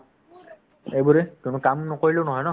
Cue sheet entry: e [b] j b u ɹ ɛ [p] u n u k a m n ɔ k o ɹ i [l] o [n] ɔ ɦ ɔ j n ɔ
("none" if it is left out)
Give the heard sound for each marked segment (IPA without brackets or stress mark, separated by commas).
none, k, l, n